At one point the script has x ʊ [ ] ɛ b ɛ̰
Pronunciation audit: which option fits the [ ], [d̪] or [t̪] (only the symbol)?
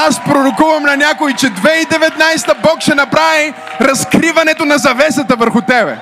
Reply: t̪